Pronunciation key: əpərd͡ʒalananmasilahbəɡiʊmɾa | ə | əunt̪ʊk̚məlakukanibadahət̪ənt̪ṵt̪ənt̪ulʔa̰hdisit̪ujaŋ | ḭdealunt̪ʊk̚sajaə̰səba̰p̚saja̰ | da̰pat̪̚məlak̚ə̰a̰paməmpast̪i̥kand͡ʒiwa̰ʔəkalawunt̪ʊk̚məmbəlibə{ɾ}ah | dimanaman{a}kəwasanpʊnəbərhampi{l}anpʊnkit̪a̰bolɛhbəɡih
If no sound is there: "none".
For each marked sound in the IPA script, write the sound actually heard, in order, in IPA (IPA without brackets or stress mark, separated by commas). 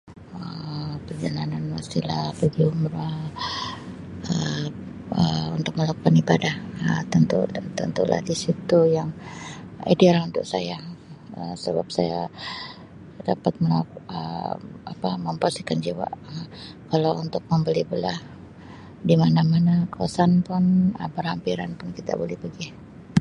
l, a, ɾ